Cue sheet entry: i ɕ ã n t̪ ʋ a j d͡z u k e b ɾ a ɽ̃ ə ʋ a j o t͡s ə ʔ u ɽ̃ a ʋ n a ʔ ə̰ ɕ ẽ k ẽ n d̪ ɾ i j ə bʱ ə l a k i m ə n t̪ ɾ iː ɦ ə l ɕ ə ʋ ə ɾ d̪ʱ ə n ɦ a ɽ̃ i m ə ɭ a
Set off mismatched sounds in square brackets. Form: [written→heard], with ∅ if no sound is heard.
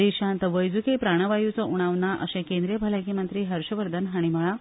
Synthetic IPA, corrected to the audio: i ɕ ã n t̪ ʋ [a→ə] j d͡z u k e [b→p] ɾ a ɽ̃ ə ʋ a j [o→u] t͡s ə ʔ u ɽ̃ a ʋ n a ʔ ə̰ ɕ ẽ k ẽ n d̪ ɾ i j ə bʱ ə l a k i m ə n t̪ ɾ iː ɦ ə [l→ɾ] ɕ ə ʋ ə ɾ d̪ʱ ə n ɦ a ɽ̃ i m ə ɭ a